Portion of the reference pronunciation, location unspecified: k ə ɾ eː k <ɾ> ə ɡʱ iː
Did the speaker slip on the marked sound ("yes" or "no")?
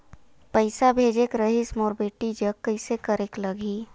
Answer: yes